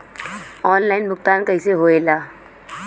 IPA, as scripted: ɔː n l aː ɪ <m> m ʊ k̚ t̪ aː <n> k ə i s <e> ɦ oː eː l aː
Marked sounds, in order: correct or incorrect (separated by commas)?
incorrect, correct, correct